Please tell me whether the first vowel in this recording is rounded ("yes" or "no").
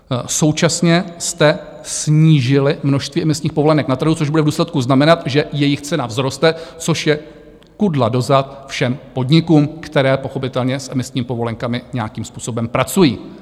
yes